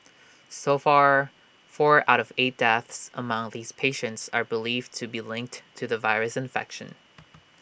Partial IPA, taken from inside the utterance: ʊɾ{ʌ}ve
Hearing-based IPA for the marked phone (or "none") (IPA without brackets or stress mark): ʌ